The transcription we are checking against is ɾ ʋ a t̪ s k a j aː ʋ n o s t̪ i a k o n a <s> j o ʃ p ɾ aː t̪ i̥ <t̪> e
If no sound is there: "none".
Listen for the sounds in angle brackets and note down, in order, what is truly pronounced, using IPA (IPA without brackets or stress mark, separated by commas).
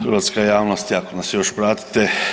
s, t̪